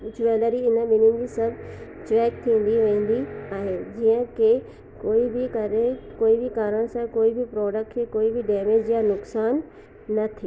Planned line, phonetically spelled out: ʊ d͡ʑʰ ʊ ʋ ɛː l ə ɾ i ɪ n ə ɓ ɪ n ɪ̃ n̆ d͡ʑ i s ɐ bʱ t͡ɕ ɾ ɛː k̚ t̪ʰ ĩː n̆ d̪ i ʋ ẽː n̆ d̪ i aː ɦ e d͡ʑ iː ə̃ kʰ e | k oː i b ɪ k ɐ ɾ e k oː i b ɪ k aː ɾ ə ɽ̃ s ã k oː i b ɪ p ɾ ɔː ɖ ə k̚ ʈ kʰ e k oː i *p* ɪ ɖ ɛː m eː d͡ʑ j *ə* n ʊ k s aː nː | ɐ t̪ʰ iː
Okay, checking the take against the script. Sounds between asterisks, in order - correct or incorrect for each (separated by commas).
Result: incorrect, incorrect